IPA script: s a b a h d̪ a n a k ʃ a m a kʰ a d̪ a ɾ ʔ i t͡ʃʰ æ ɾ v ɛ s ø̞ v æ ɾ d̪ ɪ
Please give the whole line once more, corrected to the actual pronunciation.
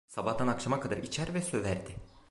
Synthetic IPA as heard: s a b a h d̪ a n a k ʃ a m a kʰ a d̪ a ɾ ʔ i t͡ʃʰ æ ɾ v ɛ s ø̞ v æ ɾ d̪ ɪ